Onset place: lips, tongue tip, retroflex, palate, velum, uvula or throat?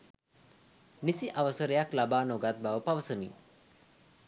tongue tip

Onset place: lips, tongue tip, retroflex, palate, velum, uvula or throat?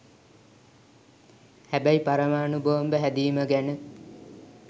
throat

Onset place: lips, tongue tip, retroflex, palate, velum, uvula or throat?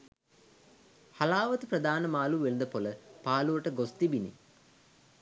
throat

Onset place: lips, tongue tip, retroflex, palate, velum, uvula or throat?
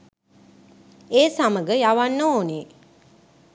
tongue tip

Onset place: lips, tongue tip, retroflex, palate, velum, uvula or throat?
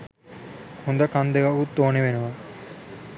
throat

